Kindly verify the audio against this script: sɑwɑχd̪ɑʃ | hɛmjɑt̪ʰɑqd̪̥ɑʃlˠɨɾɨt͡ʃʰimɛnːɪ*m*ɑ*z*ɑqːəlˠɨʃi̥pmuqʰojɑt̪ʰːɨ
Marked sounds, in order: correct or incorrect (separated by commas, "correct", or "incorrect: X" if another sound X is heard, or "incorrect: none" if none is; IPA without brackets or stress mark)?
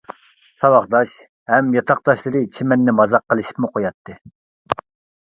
correct, correct